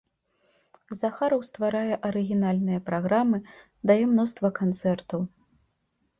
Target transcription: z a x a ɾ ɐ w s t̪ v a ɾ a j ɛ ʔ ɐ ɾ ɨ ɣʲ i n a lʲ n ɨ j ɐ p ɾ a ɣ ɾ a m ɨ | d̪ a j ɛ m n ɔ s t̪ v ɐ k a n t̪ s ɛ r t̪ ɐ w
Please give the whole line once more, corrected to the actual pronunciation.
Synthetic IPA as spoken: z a x a ɾ ɐ w s t̪ v a ɾ a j ɛ ʔ ɐ ɾ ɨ ɣʲ i n a lʲ n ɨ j ɐ p ɾ a ɣ ɾ a m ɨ | d̪ a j ɛ m n ɔ s t̪ v ɐ k a n t̪ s ɛ r t̪ ɐ w